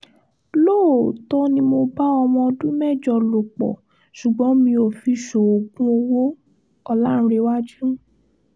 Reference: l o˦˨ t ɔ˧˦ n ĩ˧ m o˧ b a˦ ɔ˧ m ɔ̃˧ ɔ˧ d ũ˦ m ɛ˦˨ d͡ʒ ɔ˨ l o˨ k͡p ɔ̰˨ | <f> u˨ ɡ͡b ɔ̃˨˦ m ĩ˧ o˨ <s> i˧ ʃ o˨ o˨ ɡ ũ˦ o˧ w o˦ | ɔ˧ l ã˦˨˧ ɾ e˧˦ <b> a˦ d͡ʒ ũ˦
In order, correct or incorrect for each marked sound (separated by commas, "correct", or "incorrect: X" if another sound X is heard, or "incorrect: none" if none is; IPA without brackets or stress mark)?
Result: incorrect: ʃ, incorrect: f, incorrect: w